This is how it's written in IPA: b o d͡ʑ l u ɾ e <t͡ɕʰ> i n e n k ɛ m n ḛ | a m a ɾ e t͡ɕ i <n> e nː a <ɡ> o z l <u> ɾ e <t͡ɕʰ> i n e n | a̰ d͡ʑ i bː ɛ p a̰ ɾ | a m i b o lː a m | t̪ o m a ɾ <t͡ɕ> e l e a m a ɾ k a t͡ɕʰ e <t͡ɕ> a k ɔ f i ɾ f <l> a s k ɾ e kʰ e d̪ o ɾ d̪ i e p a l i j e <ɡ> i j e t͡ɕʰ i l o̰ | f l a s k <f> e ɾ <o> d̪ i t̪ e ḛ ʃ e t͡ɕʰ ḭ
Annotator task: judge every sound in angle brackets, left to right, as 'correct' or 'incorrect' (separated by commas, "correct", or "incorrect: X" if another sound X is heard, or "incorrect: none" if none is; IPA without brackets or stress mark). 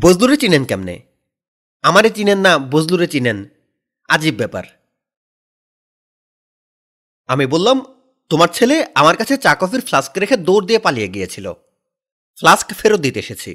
incorrect: t͡ɕ, correct, incorrect: b, correct, incorrect: t͡ɕ, incorrect: t͡ɕʰ, correct, correct, correct, correct, correct